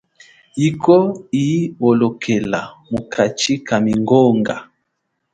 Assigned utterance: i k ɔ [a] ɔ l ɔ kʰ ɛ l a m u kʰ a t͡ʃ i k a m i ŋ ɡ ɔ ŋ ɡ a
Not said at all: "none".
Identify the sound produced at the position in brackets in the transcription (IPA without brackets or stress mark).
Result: i